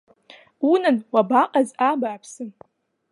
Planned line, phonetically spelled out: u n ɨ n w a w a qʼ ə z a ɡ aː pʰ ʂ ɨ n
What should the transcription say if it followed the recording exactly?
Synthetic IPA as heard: u n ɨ n w a b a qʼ a z a b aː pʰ s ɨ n